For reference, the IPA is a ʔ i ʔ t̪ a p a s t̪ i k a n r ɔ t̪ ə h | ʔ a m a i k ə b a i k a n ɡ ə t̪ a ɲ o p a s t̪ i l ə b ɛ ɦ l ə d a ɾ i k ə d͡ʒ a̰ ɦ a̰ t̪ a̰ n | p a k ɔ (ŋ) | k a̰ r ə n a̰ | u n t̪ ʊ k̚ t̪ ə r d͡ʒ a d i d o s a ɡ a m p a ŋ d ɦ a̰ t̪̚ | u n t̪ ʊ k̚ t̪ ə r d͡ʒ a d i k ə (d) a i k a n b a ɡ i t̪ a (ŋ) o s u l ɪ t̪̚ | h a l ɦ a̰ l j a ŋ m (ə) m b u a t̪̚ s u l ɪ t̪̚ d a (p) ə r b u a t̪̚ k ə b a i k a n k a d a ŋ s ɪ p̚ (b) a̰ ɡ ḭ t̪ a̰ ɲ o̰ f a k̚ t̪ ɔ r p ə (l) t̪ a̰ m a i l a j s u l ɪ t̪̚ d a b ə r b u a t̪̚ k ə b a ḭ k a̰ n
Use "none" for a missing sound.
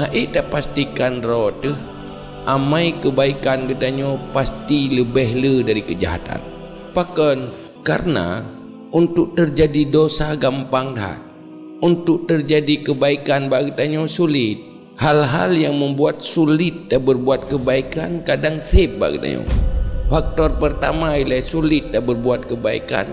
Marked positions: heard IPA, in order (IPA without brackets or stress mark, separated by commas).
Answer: n, b, ɲ, ə, b, b, r